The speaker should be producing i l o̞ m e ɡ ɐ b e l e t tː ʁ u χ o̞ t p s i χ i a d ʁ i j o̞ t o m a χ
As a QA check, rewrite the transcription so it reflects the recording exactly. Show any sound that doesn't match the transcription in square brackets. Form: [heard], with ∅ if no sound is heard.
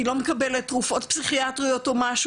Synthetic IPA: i l o̞ m e [k] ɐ b e l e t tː ʁ u [f] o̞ t p s i χ i a [t] ʁ i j o̞ t o m a [ʃ]